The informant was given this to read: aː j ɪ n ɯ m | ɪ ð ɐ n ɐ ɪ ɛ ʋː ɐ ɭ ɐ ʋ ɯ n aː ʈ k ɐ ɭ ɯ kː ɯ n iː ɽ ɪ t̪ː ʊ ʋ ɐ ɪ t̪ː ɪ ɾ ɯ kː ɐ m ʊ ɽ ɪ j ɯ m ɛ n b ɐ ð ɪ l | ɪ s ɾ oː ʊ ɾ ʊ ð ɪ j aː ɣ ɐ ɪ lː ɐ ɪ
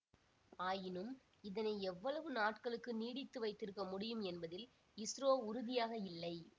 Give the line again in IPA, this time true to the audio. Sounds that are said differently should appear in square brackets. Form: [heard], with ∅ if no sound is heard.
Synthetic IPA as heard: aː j ɪ n ɯ m | ɪ ð ɐ n ɐ ɪ ɛ ʋː ɐ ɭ ɐ ʋ ɯ n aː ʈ k ɐ ɭ ɯ kː ɯ n iː ɽ ɪ t̪ː [ɯ] ʋ ɐ ɪ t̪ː ɪ ɾ ɯ kː ɐ m ʊ ɽ ɪ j ɯ m ɛ n b ɐ ð ɪ l | ɪ s ɾ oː ʊ ɾ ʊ ð ɪ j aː ɣ ɐ ɪ lː ɐ ɪ